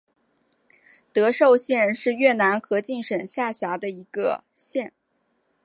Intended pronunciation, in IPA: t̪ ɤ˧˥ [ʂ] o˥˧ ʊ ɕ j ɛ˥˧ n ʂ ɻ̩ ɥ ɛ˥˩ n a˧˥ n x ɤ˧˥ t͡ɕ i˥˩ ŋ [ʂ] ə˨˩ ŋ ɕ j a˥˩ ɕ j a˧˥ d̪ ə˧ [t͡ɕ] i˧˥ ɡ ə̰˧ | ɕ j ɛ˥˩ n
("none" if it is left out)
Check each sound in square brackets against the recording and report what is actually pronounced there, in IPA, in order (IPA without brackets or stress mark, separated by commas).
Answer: ʂ, ʂ, none